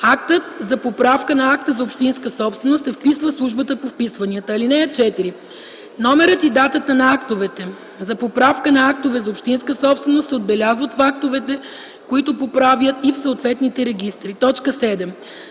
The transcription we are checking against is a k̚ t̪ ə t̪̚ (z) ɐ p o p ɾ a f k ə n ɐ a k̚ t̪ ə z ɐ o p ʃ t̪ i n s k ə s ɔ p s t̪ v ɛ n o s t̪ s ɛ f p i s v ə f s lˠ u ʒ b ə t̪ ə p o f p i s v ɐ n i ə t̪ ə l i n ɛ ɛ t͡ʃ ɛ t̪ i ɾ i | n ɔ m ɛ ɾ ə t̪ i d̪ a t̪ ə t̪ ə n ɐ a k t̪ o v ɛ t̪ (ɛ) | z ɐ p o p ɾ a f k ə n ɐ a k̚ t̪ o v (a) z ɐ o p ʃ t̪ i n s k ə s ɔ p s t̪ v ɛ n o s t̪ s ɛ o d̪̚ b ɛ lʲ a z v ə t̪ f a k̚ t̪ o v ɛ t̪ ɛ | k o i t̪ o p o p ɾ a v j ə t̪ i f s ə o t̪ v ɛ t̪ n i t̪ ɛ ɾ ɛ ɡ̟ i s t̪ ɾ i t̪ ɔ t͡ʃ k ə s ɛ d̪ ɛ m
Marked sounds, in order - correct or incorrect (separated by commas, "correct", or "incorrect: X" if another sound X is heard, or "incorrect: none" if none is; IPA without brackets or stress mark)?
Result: correct, correct, incorrect: ɛ